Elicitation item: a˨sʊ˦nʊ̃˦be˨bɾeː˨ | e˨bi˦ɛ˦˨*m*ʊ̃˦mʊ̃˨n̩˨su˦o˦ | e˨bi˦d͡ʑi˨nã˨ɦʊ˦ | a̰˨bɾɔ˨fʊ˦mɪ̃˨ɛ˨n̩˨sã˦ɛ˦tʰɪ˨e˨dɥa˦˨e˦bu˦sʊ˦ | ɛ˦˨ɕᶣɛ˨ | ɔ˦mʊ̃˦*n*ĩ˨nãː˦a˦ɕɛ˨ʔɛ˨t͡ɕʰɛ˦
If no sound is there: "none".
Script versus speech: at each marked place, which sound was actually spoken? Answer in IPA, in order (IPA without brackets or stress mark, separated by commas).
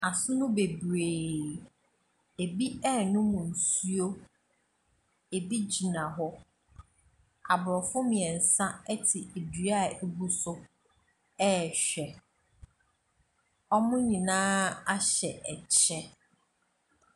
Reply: n, ɲ